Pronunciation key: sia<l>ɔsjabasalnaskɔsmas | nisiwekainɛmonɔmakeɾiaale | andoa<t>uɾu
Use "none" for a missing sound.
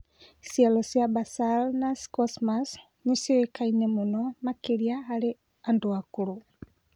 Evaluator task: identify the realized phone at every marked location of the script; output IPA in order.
l, k

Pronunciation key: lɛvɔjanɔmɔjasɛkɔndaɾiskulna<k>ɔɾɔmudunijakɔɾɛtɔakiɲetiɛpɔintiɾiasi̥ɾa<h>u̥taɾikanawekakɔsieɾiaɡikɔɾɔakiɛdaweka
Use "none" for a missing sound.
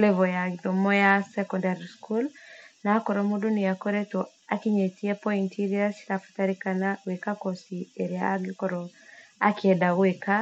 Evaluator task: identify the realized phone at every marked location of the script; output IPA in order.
k, f

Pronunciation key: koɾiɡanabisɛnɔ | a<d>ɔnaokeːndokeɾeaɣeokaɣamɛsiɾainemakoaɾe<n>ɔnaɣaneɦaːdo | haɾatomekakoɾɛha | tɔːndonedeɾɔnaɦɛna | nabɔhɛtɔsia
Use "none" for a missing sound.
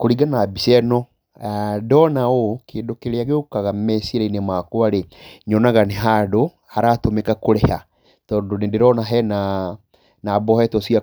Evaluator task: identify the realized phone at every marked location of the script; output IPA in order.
d, ɲ

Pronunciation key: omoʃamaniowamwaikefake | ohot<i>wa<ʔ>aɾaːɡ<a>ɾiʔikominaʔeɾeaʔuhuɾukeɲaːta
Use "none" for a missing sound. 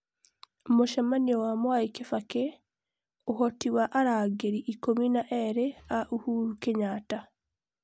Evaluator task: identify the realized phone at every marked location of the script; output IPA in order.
i, ʔ, e

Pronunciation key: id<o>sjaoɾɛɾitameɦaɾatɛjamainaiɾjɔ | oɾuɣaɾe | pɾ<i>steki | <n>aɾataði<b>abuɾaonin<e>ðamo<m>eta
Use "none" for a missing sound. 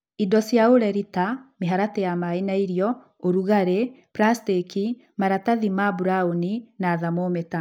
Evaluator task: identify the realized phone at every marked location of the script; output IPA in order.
ɔ, a, m, m, a, m

